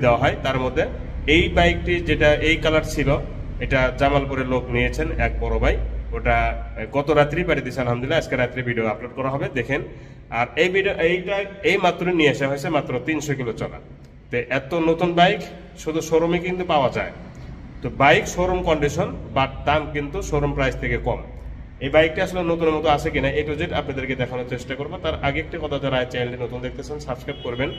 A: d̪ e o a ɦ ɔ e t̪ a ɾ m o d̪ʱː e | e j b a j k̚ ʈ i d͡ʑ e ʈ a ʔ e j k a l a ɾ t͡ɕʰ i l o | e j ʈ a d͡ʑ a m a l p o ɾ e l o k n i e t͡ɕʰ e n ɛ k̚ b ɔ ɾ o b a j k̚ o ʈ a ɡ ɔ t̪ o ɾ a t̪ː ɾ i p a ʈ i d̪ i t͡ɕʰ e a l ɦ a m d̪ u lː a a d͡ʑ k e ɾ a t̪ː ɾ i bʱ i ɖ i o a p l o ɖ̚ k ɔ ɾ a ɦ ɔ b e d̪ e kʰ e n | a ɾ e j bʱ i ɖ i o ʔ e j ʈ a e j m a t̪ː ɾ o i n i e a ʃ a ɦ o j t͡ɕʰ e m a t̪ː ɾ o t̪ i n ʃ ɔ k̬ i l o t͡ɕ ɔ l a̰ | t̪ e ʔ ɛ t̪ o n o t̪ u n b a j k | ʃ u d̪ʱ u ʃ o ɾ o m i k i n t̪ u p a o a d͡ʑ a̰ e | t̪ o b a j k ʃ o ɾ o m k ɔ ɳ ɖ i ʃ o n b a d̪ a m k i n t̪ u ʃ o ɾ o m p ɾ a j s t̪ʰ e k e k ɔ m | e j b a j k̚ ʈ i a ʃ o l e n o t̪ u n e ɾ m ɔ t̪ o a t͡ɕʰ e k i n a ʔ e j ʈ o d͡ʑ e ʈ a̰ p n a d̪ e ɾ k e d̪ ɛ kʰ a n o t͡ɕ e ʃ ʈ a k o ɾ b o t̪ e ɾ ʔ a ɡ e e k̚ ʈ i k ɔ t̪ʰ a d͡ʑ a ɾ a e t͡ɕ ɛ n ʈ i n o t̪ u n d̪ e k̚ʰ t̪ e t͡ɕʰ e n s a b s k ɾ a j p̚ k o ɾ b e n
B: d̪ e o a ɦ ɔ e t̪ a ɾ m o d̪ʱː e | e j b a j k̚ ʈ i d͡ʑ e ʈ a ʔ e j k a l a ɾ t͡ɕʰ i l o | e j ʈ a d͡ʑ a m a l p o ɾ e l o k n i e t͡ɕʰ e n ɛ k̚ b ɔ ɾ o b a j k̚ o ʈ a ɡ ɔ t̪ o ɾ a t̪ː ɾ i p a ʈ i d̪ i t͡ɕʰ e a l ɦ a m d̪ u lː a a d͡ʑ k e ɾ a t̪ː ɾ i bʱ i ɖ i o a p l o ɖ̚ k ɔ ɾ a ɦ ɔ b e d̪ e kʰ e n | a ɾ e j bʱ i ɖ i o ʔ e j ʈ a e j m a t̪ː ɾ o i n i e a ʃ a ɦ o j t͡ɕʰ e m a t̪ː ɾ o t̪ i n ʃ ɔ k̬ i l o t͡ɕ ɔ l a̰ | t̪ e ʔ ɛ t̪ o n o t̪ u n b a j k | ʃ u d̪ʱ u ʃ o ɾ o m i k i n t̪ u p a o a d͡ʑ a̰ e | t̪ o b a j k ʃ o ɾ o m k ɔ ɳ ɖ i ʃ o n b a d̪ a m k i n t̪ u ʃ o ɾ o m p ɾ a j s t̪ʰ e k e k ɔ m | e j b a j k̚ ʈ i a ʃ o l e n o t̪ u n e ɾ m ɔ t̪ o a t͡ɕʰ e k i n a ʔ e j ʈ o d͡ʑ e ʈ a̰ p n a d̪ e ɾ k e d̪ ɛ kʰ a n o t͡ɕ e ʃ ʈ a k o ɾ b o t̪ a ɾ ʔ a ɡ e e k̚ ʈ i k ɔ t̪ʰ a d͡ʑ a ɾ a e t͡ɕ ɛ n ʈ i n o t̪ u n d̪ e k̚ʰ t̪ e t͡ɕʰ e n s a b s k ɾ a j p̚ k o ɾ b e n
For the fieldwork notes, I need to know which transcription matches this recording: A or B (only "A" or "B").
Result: B